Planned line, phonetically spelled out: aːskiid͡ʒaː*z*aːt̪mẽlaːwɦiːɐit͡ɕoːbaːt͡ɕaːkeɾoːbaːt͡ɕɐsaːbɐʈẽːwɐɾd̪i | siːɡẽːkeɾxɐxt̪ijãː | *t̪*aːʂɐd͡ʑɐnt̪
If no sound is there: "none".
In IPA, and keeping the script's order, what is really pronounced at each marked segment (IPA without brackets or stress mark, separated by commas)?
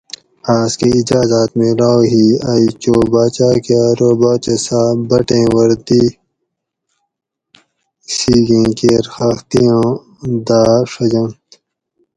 z, d̪